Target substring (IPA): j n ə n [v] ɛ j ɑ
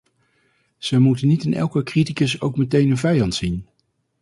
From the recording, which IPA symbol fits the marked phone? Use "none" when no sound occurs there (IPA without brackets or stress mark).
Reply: v